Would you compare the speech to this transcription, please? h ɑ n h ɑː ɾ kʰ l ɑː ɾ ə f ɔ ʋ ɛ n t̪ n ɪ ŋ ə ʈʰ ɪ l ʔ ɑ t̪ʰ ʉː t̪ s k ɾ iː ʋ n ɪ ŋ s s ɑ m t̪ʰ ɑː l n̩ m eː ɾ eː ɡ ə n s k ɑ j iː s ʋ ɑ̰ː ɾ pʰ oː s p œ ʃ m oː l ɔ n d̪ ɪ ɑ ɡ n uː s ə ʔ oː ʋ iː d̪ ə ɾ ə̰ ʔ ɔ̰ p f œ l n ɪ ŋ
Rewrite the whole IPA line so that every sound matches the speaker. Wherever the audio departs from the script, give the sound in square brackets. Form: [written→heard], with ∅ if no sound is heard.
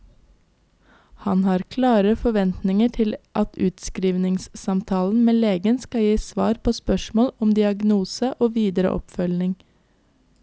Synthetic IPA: h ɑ n h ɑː ɾ kʰ l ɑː ɾ ə f ɔ ʋ ɛ n t̪ n ɪ ŋ ə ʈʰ ɪ l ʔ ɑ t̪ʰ ʉː t̪ s k ɾ iː ʋ n ɪ ŋ s s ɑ m t̪ʰ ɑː l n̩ m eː [ɾ→l] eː ɡ ə n s k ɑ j iː s ʋ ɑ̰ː ɾ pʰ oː s p œ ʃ m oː l ɔ [n→m] d̪ ɪ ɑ ɡ n uː s ə ʔ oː ʋ iː d̪ ə ɾ ə̰ ʔ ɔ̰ p f œ l n ɪ ŋ